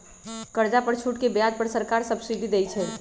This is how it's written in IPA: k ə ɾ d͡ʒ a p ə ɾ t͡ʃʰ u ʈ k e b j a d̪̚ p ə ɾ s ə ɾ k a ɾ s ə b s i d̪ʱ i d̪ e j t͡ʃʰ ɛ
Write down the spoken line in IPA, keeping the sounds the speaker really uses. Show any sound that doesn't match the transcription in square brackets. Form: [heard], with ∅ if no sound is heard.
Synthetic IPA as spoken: k ə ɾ d͡ʒ a p ə ɾ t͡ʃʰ u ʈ k e b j a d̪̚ p ə ɾ s ə ɾ k a ɾ s ə b s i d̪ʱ i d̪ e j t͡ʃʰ ɛ